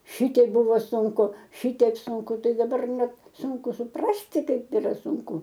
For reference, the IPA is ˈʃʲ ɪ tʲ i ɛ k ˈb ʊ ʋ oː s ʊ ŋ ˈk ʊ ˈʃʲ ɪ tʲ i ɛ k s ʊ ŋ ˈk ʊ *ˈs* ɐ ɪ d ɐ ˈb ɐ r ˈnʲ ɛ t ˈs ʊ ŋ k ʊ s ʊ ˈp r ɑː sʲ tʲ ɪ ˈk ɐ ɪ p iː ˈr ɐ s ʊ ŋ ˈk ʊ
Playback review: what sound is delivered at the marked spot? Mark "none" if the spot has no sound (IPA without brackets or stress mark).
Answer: t